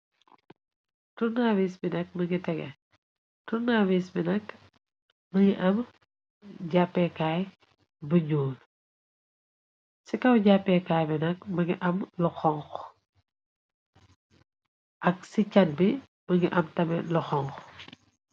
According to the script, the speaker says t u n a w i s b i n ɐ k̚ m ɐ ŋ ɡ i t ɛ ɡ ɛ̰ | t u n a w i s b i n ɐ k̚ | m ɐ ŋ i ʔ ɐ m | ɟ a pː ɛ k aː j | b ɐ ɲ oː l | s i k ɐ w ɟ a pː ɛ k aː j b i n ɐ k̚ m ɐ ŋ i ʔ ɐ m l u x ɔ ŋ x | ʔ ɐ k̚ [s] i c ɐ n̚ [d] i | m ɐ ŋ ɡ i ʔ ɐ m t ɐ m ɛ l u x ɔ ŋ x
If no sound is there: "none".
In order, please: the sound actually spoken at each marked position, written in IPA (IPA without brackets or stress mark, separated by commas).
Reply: s, b